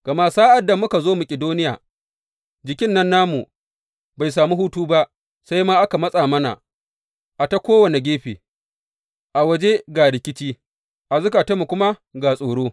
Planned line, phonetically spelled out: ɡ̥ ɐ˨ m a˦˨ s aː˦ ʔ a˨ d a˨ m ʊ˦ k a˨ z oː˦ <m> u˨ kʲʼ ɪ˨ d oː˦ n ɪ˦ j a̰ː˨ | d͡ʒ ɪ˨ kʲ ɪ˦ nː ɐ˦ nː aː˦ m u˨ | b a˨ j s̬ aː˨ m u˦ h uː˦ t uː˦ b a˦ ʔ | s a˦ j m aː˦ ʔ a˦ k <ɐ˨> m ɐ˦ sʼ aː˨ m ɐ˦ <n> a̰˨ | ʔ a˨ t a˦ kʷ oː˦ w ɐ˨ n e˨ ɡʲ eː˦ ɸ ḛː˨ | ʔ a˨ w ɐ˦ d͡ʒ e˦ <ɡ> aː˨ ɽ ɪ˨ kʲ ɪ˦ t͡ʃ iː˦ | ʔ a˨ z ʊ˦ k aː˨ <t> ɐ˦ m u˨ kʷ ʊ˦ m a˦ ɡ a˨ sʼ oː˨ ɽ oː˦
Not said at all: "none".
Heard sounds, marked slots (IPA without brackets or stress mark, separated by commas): m, a˨, n, ɡ, t